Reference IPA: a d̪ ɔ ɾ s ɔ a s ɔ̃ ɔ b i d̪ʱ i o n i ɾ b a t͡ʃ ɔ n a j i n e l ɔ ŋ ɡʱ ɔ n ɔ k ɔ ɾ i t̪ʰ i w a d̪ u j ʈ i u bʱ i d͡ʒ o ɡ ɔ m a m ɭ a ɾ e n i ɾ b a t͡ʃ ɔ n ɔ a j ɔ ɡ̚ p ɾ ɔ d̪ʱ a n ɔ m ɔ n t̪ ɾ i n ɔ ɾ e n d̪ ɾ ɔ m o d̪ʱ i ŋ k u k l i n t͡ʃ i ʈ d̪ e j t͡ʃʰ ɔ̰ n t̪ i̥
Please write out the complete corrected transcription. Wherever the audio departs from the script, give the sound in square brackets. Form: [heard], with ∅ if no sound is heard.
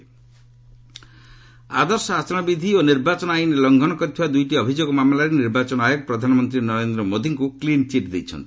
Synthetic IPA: a d̪ ɔ ɾ s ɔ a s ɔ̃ ɔ b i d̪ʱ i o n i ɾ b a t͡ʃ ɔ n a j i n e l ɔ ŋ ɡʱ ɔ n ɔ k ɔ ɾ i t̪ʰ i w a d̪ u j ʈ i [ɔ] bʱ i d͡ʒ o ɡ ɔ m a m [l] a ɾ e n i ɾ b a t͡ʃ ɔ n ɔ a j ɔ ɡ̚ p ɾ ɔ d̪ʱ a n ɔ m ɔ n t̪ ɾ i n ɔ ɾ e n d̪ ɾ ɔ m o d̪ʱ i ŋ k u k l i n t͡ʃ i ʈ d̪ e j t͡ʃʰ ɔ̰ n t̪ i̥